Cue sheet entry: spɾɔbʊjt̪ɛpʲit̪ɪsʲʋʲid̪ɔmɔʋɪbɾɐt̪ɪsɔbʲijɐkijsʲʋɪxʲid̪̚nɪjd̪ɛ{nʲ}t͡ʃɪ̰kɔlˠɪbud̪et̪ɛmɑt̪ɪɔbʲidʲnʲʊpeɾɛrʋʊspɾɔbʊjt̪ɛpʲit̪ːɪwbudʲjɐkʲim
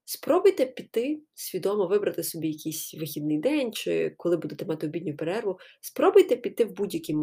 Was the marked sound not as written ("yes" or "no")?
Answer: no